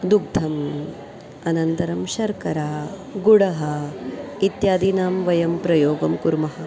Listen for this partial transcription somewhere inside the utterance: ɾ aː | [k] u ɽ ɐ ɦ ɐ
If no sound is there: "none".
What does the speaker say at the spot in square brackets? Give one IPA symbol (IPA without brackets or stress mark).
ɡ